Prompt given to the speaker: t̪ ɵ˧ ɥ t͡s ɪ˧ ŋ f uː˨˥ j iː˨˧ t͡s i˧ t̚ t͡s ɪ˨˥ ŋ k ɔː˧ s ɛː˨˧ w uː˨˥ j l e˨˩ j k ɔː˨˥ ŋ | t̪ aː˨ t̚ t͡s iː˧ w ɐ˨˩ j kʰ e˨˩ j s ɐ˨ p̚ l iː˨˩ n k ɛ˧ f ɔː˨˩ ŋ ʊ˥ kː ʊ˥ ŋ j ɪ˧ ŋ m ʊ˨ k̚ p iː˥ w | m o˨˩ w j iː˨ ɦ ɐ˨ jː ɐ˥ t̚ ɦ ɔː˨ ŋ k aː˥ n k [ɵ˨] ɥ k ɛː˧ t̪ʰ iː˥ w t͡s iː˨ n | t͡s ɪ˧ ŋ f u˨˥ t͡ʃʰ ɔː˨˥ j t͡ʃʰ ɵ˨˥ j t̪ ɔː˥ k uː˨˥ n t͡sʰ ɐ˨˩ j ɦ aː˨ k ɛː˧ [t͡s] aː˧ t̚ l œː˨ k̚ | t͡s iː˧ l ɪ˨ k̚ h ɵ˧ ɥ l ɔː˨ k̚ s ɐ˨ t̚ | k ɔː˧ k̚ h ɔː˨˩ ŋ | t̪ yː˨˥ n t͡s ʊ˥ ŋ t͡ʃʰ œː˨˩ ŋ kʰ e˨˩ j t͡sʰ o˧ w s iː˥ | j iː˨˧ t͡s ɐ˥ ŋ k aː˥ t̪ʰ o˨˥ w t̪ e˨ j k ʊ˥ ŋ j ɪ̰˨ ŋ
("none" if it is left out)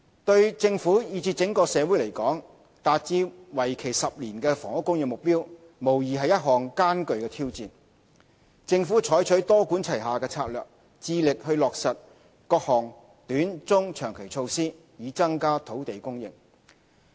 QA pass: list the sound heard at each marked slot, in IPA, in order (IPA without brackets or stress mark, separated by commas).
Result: ɵ˨, t͡sʰ